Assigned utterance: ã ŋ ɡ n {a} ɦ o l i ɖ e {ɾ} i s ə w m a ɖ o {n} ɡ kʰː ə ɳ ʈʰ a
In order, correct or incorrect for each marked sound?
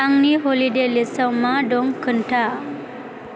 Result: incorrect: i, incorrect: l, incorrect: ŋ

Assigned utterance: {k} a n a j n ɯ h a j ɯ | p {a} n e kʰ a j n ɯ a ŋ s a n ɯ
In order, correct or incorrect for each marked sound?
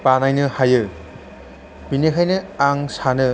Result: incorrect: p, incorrect: i

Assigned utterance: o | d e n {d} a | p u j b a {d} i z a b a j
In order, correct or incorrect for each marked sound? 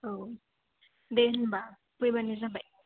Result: incorrect: b, incorrect: n

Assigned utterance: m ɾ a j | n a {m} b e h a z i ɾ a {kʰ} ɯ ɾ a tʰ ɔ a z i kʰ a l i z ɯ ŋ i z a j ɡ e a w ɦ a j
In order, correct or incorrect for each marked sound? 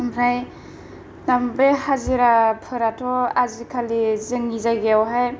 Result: correct, incorrect: pʰ

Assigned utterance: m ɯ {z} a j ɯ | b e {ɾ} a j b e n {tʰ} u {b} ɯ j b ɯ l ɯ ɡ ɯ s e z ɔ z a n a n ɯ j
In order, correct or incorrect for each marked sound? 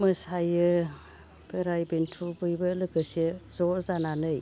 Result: incorrect: s, correct, correct, correct

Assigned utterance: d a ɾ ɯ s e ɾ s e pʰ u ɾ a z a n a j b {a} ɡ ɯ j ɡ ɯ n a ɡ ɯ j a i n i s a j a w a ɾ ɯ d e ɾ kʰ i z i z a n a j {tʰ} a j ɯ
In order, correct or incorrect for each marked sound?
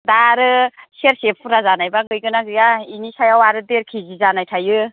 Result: correct, correct

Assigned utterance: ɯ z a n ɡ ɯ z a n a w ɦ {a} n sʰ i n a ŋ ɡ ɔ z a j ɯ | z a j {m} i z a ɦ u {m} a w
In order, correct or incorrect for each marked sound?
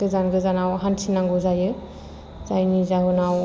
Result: correct, incorrect: n, incorrect: n

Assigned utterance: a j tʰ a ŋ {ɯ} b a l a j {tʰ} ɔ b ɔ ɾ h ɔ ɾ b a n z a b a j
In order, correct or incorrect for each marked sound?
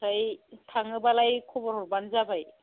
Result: correct, incorrect: kʰ

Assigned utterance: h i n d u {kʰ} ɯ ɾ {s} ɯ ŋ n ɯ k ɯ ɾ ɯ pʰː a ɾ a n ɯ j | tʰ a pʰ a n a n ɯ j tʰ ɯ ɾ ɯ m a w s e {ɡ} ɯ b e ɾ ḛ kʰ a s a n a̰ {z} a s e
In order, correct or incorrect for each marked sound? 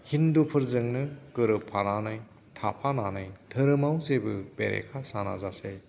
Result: incorrect: pʰ, incorrect: z, incorrect: b, correct

